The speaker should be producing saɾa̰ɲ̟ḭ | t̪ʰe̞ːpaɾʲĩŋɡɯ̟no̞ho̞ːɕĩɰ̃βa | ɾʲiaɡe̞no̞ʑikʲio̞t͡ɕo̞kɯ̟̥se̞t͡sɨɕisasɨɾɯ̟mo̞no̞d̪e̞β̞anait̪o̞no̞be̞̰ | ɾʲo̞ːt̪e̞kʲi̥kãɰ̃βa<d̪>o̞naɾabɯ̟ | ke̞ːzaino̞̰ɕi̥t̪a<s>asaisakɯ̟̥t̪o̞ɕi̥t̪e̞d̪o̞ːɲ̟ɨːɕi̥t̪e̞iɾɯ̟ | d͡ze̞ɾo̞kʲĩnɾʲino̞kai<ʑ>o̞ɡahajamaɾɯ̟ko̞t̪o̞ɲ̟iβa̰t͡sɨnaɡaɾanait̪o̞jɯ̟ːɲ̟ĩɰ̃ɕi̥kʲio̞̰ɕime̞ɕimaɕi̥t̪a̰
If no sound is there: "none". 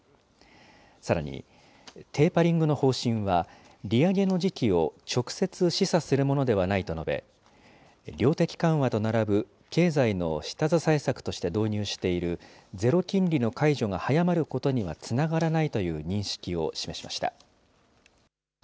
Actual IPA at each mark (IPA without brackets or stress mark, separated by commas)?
t̪, z, ʑ